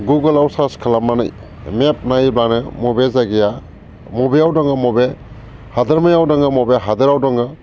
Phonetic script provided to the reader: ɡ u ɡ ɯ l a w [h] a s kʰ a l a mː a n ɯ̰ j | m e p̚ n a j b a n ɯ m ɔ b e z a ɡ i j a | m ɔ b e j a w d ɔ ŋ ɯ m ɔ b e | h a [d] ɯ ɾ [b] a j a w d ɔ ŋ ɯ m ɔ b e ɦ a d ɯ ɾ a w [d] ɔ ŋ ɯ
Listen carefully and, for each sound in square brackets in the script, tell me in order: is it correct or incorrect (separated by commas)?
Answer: incorrect, correct, incorrect, correct